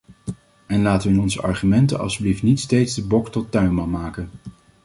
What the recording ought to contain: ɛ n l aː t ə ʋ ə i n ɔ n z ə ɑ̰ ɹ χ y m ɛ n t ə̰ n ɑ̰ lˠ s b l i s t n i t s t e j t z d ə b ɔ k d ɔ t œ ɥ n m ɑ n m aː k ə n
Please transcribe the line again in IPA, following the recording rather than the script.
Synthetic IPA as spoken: ɛ n l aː t ə ʋ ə ɪ n ɔ n z ə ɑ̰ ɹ χ y m ɛ n t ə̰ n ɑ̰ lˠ s b l i f t n i t s t e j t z d ə b ɔ k t ɔ t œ ɥ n m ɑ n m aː k ə n